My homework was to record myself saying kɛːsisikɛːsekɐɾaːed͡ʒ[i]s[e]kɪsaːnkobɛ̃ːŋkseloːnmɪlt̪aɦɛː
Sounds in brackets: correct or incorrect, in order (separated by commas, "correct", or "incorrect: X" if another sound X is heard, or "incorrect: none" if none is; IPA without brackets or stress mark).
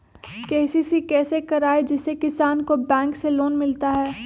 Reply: incorrect: ɪ, correct